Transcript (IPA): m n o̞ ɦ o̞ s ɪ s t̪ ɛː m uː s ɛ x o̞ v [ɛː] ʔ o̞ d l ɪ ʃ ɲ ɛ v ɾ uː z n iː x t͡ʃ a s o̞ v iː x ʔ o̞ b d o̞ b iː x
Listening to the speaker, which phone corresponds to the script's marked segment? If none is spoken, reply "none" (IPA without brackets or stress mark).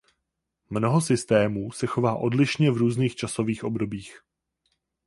aː